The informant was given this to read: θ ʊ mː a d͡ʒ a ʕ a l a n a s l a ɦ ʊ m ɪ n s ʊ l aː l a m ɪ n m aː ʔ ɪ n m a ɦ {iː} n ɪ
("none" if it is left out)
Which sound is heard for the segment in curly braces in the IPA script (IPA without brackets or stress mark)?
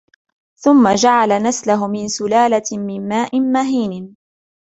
iː